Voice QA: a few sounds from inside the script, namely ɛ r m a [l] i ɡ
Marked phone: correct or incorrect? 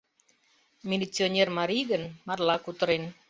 incorrect